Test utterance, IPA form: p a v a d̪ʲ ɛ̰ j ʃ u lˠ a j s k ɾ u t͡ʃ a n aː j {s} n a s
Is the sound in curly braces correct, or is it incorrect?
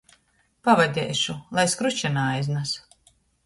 incorrect